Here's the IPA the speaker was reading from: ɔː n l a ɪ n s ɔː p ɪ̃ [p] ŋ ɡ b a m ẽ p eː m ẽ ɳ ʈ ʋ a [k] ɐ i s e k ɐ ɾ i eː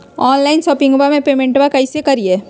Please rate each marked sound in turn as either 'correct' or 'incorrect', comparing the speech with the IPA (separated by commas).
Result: incorrect, correct